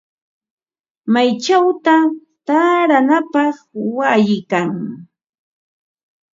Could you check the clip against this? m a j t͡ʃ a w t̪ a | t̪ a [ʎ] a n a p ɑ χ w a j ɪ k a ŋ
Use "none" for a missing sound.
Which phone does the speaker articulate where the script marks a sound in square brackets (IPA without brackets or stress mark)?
ɾ